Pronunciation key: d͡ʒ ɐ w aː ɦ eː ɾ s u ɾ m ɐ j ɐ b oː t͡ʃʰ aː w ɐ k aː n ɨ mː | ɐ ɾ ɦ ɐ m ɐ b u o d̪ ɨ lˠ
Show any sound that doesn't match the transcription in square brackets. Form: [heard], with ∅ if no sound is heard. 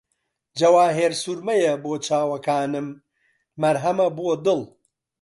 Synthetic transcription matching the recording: d͡ʒ ɐ w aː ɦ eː ɾ s u ɾ m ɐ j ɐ b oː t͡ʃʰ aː w ɐ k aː n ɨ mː | ɐ ɾ ɦ ɐ m ɐ b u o d̪ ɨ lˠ